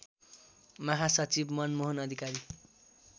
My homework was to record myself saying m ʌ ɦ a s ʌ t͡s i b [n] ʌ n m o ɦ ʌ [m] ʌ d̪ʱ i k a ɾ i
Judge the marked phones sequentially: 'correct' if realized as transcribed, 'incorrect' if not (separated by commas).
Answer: incorrect, incorrect